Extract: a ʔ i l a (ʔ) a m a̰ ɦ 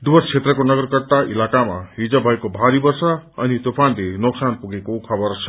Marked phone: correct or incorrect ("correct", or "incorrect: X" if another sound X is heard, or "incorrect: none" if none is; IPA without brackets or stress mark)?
incorrect: k